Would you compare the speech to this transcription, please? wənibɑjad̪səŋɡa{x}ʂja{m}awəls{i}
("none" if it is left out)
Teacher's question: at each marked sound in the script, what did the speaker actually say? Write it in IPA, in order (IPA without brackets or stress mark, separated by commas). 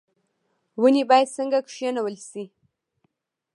k, n, i